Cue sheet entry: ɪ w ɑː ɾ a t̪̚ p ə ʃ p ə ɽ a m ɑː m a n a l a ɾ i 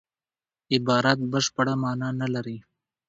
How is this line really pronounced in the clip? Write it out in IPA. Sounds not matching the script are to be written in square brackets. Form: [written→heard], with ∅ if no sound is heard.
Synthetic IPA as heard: ɪ [w→b] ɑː ɾ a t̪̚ [p→b] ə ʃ p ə ɽ a m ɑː [m→n] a n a l a ɾ i